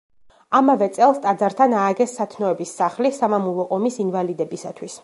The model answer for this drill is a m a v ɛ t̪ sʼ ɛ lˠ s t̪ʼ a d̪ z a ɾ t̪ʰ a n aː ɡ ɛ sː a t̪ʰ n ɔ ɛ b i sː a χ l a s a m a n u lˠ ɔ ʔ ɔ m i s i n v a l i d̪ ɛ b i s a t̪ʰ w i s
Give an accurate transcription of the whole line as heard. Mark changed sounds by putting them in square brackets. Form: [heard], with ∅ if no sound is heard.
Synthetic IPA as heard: a m a v ɛ t̪ sʼ ɛ lˠ s t̪ʼ a d̪ z a ɾ t̪ʰ a n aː ɡ ɛ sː a t̪ʰ n ɔ ɛ b i sː a χ l [i] s a m a [m] u lˠ ɔ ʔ ɔ m i s i n v a l i d̪ ɛ b i s a t̪ʰ w i s